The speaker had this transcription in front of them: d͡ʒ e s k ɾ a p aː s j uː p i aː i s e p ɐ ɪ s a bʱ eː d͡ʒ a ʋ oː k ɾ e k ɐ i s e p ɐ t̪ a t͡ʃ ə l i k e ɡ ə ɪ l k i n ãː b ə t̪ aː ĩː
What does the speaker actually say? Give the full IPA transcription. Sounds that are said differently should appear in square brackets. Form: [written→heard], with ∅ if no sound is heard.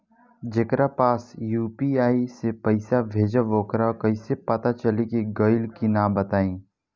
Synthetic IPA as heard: d͡ʒ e [s→∅] k ɾ a p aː s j uː p i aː i s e p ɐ ɪ s a bʱ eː d͡ʒ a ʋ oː k ɾ [e→a] k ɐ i s e p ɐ t̪ a t͡ʃ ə l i k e ɡ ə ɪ l k i n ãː b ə t̪ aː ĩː